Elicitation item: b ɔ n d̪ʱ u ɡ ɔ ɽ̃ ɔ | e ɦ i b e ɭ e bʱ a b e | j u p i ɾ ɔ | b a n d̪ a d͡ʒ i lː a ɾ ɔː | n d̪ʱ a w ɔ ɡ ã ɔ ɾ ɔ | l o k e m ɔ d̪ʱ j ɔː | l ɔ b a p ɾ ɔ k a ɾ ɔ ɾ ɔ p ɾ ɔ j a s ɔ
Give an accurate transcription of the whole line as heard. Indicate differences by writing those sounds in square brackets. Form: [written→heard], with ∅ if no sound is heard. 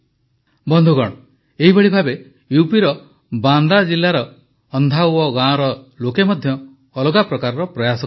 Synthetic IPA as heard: b ɔ n d̪ʱ u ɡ ɔ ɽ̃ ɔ | e ɦ i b e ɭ [e→i] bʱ a b e | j u p i ɾ ɔ | b a n d̪ a d͡ʒ i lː a ɾ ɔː | n d̪ʱ a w ɔ ɡ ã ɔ ɾ ɔ | l o k e m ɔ d̪ʱ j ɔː | l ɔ [b→ɡ] a p ɾ ɔ k a ɾ ɔ ɾ ɔ p ɾ ɔ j a s ɔ